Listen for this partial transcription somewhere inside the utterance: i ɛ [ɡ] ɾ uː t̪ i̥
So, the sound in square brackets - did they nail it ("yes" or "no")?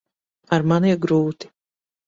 yes